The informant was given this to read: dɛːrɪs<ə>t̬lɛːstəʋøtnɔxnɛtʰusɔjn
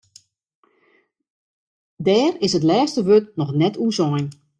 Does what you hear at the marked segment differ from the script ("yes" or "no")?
no